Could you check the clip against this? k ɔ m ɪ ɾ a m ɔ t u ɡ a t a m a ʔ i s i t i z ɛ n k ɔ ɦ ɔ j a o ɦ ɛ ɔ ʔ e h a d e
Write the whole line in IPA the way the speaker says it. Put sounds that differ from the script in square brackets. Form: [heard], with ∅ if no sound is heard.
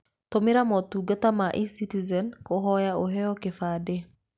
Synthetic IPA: [t] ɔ m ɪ ɾ a m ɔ t u ɡ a t a m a ʔ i s i t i z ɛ n k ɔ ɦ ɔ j a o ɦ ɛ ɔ [k] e [f] a d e